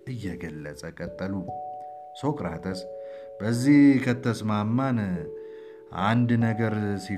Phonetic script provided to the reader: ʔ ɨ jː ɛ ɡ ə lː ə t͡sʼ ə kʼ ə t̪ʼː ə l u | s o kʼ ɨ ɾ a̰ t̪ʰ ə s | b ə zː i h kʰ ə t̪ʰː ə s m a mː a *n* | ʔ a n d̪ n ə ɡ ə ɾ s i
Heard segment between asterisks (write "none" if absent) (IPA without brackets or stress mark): n